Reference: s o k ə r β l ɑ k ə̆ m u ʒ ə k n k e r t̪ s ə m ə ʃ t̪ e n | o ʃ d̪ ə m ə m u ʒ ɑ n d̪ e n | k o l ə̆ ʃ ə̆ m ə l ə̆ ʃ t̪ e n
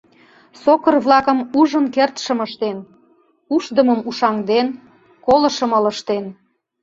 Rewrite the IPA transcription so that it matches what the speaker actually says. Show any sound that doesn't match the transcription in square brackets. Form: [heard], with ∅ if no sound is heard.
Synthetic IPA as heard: s o k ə r β l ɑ k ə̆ m u ʒ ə [∅] n k e r t̪ [ʃ] ə m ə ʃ t̪ e n | [u] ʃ d̪ ə m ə m u [ʃ] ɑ [ŋ] d̪ e n | k o l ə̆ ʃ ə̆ m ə l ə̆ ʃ t̪ e n